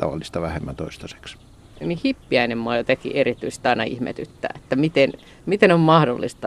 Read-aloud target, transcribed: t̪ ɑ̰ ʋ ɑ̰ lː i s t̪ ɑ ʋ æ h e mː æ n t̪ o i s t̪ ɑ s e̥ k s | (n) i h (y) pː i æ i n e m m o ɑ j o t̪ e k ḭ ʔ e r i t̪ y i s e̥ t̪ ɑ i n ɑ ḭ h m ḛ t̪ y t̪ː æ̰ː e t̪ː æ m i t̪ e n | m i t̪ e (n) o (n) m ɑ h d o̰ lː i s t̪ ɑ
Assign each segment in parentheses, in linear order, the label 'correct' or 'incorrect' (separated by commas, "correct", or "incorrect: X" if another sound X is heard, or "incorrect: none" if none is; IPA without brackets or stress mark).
correct, incorrect: i, correct, incorrect: m